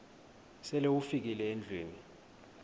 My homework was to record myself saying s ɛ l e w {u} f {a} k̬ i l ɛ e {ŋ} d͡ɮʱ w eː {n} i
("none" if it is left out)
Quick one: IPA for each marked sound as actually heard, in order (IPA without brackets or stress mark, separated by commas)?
u, i, n, n